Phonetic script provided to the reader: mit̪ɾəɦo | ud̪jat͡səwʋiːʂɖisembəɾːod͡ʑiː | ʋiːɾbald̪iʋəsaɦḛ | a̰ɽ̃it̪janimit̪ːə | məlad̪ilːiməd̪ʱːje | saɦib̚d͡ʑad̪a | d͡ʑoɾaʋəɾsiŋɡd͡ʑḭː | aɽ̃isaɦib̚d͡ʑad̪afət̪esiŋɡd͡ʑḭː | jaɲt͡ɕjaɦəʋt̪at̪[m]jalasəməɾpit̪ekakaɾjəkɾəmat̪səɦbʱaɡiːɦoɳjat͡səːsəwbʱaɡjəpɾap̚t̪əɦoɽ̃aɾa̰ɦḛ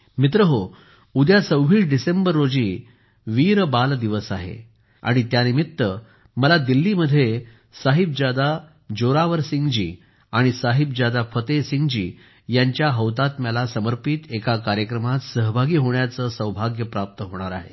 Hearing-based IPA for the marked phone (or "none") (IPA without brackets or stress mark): m